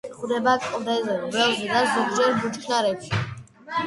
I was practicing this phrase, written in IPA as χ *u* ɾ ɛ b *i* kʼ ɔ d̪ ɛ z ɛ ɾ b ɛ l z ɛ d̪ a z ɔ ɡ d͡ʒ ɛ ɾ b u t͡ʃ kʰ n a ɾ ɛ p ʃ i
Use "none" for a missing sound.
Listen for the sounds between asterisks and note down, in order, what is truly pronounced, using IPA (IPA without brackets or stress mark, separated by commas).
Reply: u, a